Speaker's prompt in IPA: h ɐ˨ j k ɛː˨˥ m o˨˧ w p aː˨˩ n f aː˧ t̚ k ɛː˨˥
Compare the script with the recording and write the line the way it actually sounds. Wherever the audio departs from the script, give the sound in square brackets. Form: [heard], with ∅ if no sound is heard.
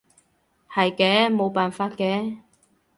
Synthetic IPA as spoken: h ɐ˨ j k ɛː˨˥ m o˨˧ w p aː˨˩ n f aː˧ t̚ k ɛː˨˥

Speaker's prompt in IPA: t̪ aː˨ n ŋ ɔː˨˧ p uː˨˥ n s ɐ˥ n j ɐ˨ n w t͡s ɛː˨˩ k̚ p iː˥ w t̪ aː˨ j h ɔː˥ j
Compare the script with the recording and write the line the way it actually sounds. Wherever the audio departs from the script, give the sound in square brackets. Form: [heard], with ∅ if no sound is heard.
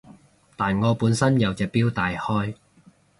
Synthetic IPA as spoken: t̪ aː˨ n ŋ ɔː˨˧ p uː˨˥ n s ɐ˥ n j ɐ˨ [∅] w t͡s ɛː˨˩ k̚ p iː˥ w t̪ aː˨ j h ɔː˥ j

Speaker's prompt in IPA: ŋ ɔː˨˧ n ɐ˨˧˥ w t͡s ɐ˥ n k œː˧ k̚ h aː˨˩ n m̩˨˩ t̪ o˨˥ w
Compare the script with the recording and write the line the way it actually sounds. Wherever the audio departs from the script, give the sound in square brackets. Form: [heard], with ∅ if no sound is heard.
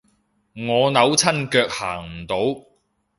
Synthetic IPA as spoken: ŋ ɔː˨˧ n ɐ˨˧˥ w [t͡sʰ] ɐ˥ n k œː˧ k̚ h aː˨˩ [ŋ] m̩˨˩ t̪ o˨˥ w

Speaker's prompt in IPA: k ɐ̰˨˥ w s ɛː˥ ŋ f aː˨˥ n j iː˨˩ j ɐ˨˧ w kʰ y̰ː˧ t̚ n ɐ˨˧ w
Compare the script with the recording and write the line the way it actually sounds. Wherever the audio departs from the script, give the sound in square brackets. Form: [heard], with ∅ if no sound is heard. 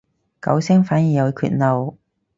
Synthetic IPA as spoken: k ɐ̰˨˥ w s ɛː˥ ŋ f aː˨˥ n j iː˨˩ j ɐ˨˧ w kʰ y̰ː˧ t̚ n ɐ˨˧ w

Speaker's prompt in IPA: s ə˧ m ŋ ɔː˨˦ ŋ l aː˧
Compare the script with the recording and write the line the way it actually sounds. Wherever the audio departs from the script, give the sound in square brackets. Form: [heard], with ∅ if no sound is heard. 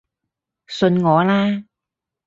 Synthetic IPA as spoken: s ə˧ [n] ŋ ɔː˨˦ [∅] l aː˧

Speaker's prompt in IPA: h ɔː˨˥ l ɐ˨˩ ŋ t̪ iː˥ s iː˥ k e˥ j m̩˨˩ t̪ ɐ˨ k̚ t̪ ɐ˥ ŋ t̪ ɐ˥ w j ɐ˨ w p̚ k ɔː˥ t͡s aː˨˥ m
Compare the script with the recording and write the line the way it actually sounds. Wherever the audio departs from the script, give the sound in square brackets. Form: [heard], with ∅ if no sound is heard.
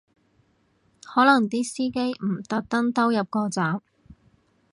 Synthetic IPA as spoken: h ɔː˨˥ l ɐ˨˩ ŋ t̪ iː˥ s iː˥ k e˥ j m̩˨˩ t̪ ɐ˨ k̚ t̪ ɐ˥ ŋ t̪ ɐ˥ w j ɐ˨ [∅] p̚ k [ɔː˧] t͡s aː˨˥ m

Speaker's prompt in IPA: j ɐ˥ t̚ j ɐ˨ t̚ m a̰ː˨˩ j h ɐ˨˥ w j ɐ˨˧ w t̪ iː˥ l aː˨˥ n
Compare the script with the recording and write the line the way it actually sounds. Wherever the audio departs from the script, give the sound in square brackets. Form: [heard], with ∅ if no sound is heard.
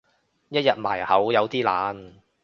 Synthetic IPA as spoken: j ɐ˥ t̚ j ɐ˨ t̚ m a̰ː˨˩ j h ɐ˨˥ w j ɐ˨˧ w t̪ iː˥ l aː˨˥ n

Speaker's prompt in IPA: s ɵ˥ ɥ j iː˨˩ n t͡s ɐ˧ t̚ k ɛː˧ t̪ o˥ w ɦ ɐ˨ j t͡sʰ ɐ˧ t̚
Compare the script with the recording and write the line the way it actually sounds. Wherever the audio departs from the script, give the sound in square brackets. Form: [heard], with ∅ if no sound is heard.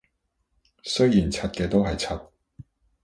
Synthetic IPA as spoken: s ɵ˥ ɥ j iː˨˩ n [t͡sʰ] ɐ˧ t̚ k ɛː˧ t̪ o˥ w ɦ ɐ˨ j t͡sʰ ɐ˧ t̚

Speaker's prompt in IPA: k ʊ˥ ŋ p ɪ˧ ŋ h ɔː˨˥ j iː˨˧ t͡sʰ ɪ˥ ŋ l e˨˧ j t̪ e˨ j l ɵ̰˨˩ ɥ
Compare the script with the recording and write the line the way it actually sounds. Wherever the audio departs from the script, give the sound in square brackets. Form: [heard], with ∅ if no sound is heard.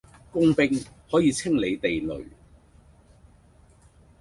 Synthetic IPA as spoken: k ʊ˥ ŋ p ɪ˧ ŋ h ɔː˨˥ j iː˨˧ t͡sʰ ɪ˥ ŋ l e˨˧ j t̪ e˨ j l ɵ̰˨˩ ɥ

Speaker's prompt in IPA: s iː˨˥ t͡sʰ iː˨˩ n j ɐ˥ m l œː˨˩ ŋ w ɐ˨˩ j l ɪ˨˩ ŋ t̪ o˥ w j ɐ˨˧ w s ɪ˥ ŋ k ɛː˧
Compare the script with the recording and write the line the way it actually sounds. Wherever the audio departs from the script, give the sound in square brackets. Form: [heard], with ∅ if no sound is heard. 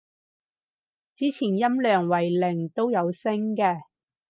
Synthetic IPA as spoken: [t͡s] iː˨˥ t͡sʰ iː˨˩ n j ɐ˥ m l œː˨˩ ŋ w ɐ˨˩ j l ɪ˨˩ ŋ t̪ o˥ w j ɐ˨˧ w s ɪ˥ ŋ k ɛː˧

